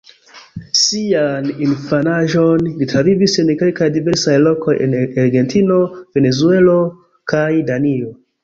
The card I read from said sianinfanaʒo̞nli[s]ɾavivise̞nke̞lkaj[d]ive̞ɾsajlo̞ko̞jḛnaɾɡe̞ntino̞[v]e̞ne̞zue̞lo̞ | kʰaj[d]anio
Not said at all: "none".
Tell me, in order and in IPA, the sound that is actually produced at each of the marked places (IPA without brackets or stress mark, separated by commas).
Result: t, d, v, d